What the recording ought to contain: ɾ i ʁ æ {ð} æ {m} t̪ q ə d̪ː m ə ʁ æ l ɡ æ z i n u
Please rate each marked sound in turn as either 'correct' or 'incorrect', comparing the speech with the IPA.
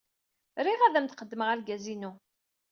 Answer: correct, correct

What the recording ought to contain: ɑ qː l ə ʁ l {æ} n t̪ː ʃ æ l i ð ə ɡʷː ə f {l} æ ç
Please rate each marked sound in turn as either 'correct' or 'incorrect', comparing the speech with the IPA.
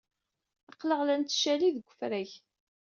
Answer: correct, incorrect

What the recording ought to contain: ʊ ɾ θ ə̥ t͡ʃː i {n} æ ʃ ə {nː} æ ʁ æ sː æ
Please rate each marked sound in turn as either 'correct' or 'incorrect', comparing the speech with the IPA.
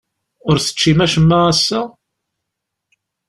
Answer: incorrect, incorrect

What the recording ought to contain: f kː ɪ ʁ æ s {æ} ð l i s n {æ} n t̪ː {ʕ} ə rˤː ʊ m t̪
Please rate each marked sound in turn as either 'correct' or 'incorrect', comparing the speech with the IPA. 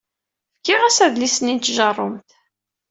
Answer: correct, incorrect, incorrect

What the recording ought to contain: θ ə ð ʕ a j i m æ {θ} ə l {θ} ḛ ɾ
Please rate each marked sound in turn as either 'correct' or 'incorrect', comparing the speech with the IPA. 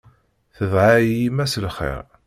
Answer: incorrect, incorrect

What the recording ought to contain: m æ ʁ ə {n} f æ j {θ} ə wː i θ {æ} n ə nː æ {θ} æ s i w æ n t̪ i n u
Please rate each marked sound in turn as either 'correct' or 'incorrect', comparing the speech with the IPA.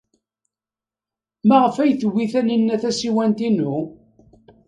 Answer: incorrect, correct, correct, correct

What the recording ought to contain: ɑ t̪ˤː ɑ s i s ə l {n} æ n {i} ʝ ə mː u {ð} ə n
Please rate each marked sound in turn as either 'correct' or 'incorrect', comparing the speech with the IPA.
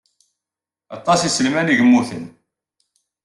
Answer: incorrect, correct, incorrect

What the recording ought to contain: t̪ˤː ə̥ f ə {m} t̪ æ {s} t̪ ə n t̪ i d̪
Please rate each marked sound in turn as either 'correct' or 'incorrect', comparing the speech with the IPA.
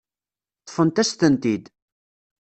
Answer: incorrect, correct

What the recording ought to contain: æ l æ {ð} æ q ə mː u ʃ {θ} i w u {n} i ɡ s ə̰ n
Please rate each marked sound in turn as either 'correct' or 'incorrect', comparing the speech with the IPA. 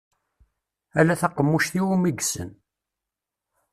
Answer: incorrect, correct, incorrect

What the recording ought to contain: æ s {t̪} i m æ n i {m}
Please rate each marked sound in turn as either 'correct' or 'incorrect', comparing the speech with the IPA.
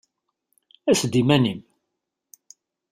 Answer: incorrect, correct

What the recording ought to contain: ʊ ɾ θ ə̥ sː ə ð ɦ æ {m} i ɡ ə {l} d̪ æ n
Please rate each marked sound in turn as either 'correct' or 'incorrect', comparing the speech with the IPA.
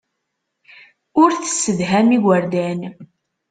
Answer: correct, incorrect

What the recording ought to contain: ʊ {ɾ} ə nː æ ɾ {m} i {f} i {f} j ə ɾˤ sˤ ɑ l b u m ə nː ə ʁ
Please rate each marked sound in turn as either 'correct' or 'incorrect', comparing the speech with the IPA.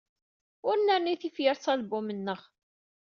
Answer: correct, incorrect, incorrect, correct

